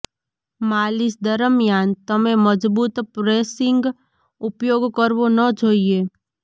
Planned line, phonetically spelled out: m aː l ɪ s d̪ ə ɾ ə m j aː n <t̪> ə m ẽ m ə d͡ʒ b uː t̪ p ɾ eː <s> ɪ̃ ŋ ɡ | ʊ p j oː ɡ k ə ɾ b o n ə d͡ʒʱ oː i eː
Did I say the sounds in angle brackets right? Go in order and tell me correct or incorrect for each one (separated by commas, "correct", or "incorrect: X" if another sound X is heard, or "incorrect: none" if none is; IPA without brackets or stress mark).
correct, correct